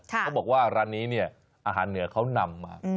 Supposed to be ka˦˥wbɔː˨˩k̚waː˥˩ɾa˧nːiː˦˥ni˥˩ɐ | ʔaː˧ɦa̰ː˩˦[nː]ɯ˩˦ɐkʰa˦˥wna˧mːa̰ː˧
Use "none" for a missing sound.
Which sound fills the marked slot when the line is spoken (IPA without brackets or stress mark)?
nː